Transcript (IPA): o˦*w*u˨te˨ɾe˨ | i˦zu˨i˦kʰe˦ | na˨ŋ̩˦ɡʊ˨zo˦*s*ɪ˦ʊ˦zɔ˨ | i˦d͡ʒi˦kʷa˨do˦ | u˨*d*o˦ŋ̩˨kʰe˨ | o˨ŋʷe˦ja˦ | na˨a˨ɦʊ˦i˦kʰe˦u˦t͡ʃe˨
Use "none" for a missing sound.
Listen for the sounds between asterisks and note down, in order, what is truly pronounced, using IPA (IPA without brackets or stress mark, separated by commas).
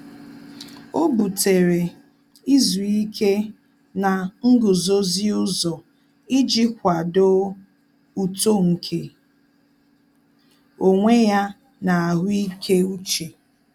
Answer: b, z, t